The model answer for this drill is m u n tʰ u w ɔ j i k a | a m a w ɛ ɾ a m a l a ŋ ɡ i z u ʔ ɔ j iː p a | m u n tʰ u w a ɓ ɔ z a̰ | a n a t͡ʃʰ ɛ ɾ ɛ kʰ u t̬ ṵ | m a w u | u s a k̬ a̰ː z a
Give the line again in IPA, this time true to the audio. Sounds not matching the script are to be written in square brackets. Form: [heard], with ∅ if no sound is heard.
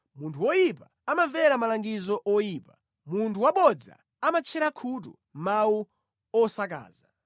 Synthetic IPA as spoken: m u n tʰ u w ɔ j i [p] a | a m a [v] ɛ ɾ a m a l a ŋ ɡ i z [ɔ] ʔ ɔ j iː p a | m u n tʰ u w a ɓ ɔ [d͡z] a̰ | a [m] a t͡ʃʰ ɛ ɾ [a] kʰ u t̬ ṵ | m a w u | [ɔ] s a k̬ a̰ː z a